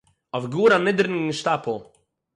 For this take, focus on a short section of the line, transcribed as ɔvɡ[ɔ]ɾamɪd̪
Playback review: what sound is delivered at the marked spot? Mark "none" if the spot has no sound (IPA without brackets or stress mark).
u